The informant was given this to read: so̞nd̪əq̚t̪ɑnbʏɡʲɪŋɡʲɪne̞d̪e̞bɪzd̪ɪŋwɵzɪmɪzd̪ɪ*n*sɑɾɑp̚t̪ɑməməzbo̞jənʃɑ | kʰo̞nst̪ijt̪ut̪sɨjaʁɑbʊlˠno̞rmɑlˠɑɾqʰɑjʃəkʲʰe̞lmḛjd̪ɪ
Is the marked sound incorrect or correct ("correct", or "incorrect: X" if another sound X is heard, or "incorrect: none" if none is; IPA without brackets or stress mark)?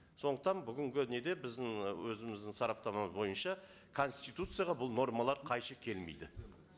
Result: incorrect: ŋ